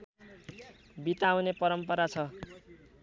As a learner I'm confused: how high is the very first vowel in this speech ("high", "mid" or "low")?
high